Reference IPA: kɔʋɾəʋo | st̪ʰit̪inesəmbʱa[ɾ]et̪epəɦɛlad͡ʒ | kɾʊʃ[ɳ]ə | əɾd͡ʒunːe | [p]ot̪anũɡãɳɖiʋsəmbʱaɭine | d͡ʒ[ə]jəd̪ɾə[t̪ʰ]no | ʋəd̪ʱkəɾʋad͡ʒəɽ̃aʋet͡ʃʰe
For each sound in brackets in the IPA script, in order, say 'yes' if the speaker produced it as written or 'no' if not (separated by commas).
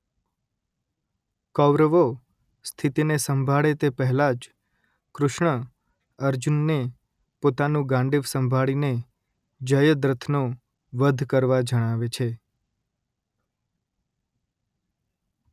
no, yes, yes, yes, yes